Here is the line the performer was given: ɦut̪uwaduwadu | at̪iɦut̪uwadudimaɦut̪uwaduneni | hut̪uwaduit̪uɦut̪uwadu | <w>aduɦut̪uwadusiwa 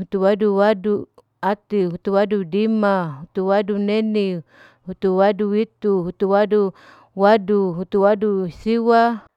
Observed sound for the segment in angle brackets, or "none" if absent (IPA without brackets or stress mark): w